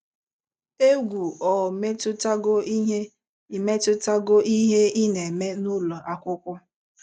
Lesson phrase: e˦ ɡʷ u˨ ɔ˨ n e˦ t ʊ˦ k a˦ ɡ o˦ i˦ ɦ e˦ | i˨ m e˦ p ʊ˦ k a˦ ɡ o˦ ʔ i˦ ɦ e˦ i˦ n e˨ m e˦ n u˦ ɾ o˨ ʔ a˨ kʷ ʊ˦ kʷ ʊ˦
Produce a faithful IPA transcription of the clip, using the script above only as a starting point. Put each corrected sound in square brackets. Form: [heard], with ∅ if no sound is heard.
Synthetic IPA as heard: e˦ ɡʷ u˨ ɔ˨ [m] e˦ t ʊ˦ [t] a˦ ɡ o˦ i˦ ɦ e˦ | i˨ m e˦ [t] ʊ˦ [t] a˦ ɡ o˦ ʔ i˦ ɦ e˦ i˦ n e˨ m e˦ n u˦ [l] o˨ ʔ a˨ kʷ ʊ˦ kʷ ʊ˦